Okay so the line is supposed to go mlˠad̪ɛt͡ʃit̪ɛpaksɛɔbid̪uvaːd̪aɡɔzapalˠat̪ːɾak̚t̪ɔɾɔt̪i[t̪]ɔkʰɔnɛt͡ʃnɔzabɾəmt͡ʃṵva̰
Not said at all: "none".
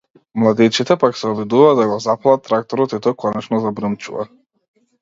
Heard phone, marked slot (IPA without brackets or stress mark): t̪